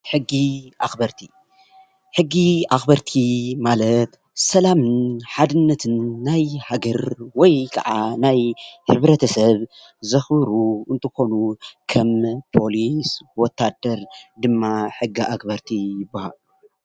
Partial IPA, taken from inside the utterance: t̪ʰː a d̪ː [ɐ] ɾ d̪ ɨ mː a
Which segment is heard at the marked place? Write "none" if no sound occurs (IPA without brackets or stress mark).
ɐ